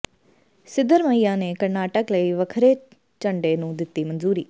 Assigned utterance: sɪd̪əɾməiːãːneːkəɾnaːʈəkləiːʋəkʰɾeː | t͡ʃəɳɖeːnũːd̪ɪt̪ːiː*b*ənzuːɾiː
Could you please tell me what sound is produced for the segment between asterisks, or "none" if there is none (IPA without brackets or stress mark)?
m